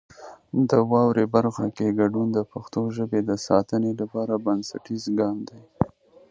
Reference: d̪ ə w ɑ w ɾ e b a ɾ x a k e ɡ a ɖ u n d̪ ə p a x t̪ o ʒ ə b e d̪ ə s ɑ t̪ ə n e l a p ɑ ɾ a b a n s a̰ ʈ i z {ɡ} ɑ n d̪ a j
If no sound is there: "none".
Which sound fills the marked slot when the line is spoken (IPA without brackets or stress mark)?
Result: ɡ